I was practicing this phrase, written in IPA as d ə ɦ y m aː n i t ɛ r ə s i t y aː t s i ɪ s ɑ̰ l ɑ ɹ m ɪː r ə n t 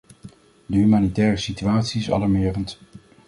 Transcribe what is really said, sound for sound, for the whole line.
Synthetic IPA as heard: d ə ɦ y m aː n i t ɛː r ə s i t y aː t s i ɪ s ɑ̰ l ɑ ɹ m ɪː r ə n t